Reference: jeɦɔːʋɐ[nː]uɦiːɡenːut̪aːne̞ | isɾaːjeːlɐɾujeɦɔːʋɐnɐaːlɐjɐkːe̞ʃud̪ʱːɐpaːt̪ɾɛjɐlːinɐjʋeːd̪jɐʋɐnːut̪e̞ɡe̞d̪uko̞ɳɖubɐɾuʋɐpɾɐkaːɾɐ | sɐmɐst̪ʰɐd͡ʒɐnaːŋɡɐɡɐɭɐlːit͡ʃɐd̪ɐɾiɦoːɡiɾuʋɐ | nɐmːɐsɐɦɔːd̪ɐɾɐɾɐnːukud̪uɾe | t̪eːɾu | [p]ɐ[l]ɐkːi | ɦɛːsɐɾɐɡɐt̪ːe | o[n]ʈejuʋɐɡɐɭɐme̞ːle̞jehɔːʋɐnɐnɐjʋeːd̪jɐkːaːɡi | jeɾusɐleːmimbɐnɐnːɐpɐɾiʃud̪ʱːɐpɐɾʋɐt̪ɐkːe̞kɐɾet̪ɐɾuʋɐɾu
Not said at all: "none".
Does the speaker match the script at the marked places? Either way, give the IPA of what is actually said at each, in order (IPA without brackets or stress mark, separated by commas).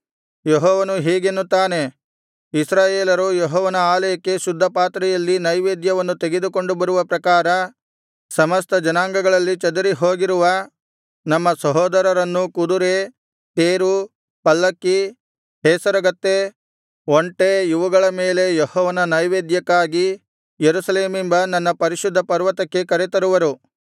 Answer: n, p, lː, ɳ